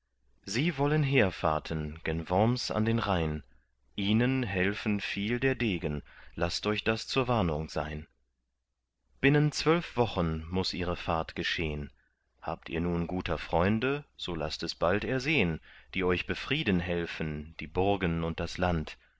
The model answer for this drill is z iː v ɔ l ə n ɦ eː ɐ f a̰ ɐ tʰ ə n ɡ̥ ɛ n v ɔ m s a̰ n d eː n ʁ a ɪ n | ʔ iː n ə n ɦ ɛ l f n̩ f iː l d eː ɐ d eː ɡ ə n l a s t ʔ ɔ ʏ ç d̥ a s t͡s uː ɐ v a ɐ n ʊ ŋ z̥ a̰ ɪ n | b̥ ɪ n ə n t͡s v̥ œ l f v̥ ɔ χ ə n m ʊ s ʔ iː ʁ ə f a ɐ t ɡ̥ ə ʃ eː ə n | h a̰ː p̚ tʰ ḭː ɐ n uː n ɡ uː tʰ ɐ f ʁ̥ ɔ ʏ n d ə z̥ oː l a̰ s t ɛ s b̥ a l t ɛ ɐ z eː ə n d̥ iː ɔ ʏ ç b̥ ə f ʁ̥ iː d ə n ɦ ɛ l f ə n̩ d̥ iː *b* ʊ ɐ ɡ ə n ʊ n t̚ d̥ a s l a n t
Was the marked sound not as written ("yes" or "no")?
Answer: no